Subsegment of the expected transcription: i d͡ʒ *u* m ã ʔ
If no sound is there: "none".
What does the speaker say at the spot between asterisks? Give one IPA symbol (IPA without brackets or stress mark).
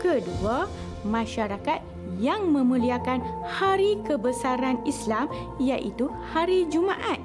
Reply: u